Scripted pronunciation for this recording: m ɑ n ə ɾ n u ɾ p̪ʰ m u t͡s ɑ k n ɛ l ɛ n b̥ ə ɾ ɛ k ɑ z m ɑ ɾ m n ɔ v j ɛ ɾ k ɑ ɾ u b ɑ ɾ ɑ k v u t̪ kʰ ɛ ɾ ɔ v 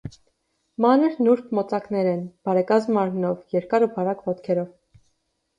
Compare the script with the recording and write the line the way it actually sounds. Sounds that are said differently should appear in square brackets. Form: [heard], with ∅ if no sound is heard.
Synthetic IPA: m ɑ n ə ɾ n u ɾ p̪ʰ m [ɔ] t͡s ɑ k n ɛ [ɾ] ɛ n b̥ [ɑ] ɾ ɛ k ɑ z m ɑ ɾ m n ɔ v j ɛ ɾ k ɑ ɾ u b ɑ ɾ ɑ k v [ɔ] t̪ kʰ ɛ ɾ ɔ v